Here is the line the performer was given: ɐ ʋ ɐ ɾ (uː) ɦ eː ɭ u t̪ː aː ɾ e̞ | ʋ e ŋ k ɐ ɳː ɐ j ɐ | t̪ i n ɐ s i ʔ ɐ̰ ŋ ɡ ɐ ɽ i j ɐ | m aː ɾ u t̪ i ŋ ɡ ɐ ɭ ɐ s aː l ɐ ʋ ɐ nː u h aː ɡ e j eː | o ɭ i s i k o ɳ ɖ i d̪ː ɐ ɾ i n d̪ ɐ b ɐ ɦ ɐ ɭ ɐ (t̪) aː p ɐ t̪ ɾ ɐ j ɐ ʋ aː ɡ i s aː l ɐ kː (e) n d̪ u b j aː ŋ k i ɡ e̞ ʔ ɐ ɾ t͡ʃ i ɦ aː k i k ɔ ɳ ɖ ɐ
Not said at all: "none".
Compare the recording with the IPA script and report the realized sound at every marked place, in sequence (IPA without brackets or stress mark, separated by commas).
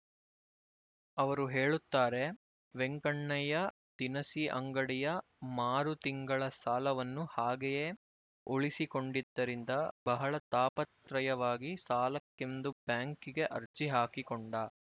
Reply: u, t̪, e